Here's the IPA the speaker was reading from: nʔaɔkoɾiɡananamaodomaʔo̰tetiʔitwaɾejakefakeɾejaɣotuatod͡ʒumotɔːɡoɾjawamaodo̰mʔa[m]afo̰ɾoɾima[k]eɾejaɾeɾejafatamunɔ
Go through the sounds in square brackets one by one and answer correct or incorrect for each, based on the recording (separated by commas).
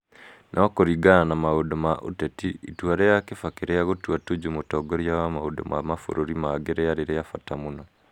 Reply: correct, incorrect